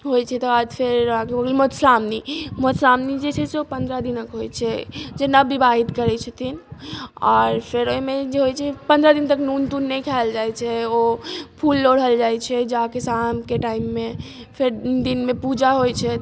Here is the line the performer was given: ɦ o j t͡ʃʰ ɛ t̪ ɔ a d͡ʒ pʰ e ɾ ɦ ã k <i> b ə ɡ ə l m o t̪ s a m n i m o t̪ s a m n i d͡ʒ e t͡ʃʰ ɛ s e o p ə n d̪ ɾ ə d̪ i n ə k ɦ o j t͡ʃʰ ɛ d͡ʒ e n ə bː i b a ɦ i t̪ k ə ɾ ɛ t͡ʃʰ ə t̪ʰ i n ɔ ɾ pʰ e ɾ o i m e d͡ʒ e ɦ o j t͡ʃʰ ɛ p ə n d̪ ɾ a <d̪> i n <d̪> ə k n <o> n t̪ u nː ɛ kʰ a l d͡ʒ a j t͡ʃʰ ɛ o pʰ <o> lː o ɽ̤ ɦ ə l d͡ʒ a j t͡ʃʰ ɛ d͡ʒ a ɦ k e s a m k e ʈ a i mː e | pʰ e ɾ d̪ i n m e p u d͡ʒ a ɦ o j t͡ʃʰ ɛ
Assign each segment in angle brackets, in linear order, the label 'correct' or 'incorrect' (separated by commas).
incorrect, correct, incorrect, incorrect, incorrect